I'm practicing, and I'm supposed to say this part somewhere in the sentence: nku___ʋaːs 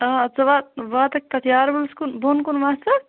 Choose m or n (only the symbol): n